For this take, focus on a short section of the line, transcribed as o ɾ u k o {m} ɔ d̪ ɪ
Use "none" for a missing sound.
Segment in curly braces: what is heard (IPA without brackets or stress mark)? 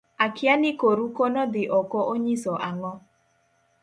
n